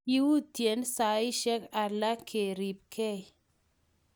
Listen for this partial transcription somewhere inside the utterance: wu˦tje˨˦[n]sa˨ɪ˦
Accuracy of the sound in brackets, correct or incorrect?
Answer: correct